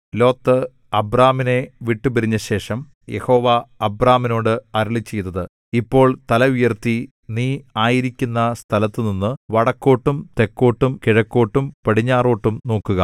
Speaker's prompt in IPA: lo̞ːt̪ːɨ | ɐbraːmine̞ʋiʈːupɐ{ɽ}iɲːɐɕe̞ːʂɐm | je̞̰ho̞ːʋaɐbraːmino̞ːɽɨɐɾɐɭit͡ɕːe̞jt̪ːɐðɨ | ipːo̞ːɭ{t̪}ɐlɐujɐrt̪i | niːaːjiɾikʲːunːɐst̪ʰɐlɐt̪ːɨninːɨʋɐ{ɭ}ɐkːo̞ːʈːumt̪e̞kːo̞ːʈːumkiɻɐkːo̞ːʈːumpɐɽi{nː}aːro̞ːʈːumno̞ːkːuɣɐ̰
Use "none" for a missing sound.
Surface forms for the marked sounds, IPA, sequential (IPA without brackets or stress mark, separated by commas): ɾ, t̪, ɽ, ɲː